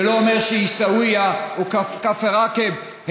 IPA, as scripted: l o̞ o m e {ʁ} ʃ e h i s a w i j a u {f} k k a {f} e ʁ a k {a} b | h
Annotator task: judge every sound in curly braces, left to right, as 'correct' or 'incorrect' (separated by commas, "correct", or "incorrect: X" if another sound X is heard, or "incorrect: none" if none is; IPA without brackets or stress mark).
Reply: correct, incorrect: none, correct, incorrect: e